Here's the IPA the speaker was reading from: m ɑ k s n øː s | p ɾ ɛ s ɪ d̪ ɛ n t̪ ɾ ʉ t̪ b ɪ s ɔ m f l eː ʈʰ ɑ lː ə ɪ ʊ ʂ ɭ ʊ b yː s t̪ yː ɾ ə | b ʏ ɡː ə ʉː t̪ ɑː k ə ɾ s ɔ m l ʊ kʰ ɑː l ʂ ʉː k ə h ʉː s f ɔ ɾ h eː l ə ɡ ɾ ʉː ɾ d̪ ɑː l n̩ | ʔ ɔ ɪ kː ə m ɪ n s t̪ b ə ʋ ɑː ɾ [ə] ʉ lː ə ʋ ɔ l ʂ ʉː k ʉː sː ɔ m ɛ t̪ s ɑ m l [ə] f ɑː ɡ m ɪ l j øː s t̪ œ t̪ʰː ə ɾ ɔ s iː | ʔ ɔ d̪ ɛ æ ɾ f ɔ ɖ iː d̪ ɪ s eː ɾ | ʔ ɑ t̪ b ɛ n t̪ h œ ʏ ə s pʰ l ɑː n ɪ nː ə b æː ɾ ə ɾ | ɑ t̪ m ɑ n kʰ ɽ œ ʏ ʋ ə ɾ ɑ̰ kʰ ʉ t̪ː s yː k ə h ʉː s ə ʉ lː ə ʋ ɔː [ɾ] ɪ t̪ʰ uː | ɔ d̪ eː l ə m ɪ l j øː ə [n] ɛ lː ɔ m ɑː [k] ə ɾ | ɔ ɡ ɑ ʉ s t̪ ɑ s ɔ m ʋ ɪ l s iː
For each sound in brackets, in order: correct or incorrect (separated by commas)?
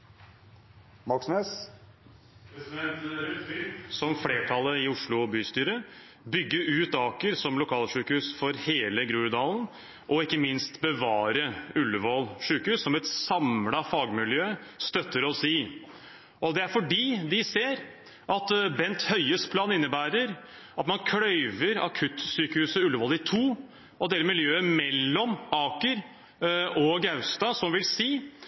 correct, incorrect, incorrect, incorrect, correct